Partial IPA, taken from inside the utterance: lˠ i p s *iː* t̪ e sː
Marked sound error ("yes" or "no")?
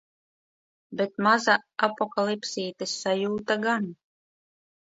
no